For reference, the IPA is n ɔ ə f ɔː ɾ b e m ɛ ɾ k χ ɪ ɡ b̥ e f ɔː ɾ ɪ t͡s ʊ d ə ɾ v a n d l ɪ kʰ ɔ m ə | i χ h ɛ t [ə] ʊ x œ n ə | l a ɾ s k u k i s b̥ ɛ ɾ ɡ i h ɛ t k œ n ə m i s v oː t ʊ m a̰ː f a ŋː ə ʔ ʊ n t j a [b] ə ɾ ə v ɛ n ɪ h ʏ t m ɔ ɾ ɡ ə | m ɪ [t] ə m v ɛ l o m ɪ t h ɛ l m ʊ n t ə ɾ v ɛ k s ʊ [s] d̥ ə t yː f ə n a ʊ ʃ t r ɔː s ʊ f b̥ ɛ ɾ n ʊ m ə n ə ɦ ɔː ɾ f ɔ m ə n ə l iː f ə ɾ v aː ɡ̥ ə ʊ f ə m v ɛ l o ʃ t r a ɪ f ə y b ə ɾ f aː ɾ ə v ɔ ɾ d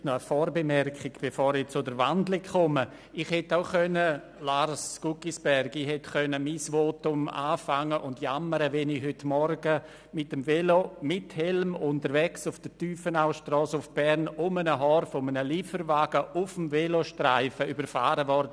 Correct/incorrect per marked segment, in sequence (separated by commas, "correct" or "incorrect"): incorrect, incorrect, correct, incorrect